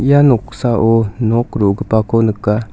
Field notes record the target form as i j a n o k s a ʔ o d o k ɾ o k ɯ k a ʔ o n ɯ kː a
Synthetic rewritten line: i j a n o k s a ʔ o n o k ɾ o ɡ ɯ p a k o n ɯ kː a